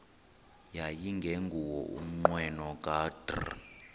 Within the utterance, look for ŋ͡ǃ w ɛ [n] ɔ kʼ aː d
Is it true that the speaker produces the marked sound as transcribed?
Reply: yes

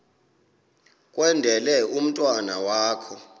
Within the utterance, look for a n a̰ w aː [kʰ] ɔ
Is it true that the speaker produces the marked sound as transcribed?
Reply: yes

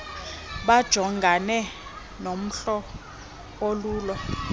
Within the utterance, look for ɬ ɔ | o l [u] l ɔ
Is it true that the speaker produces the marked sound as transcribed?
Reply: no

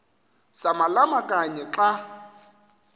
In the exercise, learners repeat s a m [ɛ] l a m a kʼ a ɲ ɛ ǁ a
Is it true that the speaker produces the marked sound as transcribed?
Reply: no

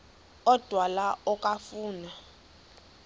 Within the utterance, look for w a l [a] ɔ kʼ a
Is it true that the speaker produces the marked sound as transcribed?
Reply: yes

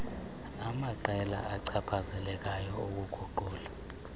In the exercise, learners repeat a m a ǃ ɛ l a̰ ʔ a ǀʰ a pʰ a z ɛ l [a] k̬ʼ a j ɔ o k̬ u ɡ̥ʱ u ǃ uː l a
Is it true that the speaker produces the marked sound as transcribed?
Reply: no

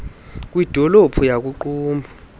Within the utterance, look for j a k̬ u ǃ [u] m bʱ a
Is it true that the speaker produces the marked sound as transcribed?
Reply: no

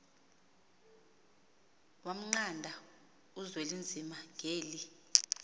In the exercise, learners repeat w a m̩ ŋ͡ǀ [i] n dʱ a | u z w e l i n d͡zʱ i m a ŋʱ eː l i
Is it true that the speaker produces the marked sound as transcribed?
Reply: no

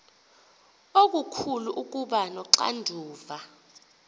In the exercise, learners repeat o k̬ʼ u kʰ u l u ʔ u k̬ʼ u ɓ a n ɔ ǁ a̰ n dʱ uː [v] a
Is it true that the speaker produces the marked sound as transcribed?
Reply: yes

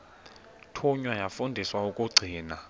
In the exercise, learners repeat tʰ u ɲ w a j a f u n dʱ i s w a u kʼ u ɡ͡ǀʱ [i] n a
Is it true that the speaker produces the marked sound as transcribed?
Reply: no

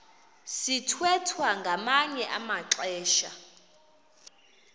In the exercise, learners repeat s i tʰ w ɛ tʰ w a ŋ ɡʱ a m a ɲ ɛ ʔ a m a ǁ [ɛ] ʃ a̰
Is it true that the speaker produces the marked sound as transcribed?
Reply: no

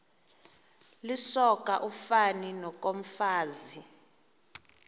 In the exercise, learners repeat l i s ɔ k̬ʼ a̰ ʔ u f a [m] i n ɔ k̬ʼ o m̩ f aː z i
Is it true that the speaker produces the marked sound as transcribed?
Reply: no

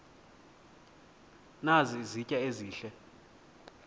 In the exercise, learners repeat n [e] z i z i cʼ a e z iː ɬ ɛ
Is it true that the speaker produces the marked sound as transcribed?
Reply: no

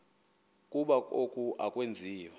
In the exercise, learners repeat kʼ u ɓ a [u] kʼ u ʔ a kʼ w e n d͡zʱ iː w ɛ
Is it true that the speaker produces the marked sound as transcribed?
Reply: no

